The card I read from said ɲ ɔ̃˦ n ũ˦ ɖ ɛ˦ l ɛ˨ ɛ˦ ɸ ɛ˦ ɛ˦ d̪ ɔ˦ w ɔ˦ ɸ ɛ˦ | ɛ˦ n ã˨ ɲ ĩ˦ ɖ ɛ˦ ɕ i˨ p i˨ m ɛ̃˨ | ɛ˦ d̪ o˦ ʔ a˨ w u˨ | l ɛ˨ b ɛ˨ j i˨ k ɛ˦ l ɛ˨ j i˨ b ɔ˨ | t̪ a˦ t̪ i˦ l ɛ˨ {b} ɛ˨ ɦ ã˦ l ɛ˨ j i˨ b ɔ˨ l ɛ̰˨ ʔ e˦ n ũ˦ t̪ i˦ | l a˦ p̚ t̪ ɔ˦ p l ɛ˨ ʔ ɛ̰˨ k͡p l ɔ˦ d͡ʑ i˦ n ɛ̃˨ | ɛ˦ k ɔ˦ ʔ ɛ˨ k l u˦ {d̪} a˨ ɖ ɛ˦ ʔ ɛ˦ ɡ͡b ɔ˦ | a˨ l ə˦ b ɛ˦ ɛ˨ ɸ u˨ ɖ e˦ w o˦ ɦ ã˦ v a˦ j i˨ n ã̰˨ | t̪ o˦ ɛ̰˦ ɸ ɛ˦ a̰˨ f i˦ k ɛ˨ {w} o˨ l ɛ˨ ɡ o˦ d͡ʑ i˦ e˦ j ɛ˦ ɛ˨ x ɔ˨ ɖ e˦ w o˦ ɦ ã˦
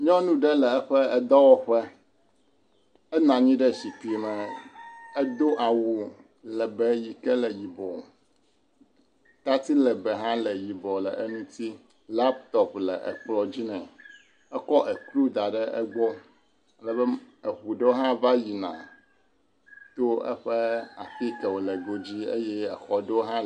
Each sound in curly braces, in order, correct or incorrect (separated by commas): correct, correct, correct